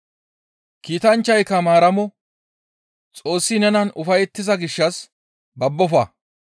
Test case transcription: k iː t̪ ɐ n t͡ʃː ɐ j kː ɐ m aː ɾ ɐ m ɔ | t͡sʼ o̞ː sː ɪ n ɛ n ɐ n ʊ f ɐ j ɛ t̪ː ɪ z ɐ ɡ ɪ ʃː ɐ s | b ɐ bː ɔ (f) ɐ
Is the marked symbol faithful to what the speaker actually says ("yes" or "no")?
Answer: yes